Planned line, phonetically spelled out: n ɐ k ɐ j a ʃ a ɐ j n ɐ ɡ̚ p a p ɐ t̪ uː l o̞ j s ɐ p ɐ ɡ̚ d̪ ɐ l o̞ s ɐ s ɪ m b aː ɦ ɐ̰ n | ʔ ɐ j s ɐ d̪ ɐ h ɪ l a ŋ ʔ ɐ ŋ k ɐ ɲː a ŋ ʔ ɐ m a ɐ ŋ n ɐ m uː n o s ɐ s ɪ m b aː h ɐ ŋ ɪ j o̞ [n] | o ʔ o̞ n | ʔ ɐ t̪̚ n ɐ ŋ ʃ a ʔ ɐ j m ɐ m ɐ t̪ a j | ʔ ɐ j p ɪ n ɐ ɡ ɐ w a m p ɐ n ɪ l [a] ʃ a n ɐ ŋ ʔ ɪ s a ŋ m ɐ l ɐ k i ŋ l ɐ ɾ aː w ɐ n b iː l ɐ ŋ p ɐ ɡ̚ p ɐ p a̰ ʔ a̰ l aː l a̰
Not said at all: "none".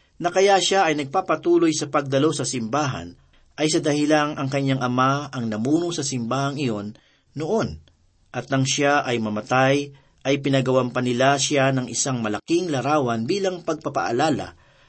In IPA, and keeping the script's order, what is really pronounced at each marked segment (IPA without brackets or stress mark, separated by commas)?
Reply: nː, a